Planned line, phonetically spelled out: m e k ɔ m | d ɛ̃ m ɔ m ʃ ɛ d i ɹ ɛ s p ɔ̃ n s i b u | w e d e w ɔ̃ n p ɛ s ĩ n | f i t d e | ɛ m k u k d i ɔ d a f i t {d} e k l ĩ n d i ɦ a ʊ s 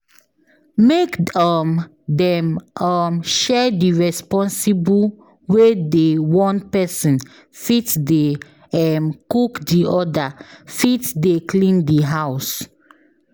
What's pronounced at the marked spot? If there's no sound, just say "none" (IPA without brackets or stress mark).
d